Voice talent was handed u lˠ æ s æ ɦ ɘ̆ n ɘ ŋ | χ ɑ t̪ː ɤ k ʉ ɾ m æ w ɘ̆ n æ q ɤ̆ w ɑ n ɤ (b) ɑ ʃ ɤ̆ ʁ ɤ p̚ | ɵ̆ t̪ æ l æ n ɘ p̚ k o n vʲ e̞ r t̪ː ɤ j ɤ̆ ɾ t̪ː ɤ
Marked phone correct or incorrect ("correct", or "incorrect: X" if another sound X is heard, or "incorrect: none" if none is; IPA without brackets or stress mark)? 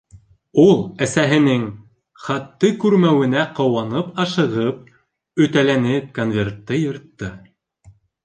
incorrect: p